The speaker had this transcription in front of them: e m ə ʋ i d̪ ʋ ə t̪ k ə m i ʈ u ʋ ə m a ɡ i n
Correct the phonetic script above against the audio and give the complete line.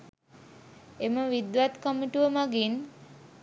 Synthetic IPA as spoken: e m ə ʋ i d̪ ʋ a t̪ k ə m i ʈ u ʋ ə m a ɡ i n